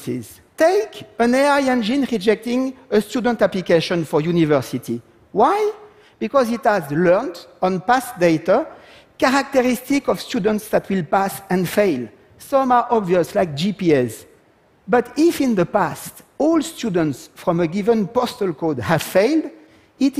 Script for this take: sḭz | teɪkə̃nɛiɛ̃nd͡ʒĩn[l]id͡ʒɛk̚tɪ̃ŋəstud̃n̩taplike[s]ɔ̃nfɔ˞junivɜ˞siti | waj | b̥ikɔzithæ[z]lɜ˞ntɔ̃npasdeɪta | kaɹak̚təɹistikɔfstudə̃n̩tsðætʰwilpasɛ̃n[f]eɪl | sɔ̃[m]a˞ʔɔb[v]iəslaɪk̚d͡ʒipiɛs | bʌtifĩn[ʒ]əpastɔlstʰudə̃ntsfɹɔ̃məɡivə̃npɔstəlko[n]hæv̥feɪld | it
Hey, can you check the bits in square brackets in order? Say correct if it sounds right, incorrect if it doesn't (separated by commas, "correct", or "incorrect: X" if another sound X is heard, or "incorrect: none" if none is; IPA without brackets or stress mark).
incorrect: ɹ, incorrect: ʃ, correct, correct, correct, correct, incorrect: ð, incorrect: d